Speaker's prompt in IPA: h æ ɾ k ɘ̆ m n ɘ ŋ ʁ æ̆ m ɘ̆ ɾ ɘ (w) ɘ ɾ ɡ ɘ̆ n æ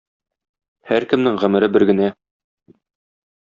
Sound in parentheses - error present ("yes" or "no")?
yes